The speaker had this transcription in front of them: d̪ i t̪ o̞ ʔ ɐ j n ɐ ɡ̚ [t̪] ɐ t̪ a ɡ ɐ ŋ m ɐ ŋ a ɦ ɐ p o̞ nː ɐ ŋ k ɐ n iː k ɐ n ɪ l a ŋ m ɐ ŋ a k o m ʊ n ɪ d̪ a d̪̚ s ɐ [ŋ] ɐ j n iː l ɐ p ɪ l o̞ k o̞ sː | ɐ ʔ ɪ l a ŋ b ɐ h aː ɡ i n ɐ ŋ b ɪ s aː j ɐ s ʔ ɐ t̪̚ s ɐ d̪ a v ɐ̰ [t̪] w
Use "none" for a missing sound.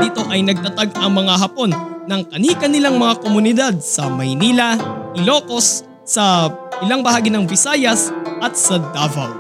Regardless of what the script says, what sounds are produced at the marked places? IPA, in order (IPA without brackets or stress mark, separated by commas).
t̪, m, none